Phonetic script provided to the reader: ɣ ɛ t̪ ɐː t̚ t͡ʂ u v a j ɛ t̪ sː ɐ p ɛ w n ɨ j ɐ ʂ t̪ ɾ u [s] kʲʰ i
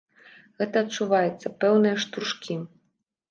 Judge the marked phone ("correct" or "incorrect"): incorrect